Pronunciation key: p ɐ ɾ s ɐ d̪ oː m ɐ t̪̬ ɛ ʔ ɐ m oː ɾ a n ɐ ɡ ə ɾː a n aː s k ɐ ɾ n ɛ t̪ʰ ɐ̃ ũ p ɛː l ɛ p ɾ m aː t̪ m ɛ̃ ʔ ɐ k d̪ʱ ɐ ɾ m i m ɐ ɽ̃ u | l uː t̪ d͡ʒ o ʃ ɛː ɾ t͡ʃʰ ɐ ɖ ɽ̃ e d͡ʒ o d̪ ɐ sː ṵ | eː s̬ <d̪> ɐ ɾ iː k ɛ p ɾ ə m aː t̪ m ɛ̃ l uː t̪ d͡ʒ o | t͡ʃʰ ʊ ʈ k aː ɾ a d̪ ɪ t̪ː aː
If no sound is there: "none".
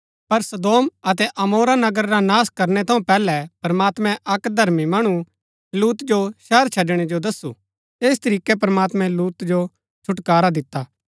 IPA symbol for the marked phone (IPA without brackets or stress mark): t̪